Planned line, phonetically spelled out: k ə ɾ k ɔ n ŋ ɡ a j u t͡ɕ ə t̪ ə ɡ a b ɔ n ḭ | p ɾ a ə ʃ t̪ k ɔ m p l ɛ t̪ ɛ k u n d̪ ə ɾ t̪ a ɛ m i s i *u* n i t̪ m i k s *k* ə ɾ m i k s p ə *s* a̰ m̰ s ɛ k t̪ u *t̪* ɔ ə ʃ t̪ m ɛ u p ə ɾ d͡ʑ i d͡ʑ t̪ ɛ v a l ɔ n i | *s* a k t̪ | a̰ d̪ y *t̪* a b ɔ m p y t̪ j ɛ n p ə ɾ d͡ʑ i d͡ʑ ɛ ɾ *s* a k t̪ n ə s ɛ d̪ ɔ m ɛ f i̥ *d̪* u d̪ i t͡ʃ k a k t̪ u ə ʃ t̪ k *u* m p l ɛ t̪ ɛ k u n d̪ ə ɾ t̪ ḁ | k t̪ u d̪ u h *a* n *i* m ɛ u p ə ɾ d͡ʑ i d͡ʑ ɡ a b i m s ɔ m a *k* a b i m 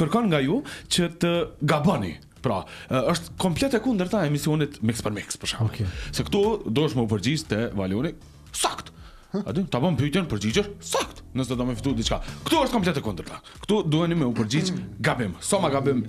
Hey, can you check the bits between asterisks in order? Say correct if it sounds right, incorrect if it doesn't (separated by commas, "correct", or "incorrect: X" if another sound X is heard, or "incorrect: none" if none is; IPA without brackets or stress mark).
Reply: incorrect: ɔ, incorrect: p, incorrect: ʃ, incorrect: d̪, correct, correct, correct, incorrect: t̪, incorrect: ɔ, incorrect: ɛ, correct, incorrect: ɡ